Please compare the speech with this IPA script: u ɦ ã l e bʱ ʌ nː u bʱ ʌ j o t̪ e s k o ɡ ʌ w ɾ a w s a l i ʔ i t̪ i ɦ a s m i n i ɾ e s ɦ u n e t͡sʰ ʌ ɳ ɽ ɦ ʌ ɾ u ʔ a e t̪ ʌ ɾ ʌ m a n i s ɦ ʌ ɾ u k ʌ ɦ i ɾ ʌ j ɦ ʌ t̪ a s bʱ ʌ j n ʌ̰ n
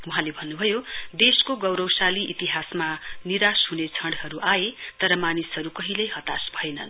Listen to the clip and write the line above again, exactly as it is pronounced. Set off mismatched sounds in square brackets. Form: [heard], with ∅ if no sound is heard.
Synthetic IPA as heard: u ɦ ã l e bʱ ʌ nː u bʱ ʌ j o [d̪] e s k o ɡ ʌ w ɾ [ʌ] w s a l i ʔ i t̪ i ɦ a s m [a] n i ɾ [a] s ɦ u n e t͡sʰ ʌ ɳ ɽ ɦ ʌ ɾ u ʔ a e t̪ ʌ ɾ ʌ m a n i s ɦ ʌ ɾ u k ʌ ɦ i [l] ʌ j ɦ ʌ t̪ a s bʱ ʌ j n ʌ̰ n